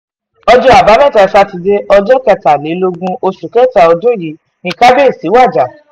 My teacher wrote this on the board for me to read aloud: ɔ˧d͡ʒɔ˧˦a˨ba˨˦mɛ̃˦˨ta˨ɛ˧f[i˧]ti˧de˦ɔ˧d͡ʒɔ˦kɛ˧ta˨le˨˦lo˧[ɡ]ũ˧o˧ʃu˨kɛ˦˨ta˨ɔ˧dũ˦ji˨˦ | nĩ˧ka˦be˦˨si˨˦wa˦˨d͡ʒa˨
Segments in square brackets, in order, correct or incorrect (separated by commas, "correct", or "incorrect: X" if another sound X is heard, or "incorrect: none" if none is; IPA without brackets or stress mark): incorrect: a˧, correct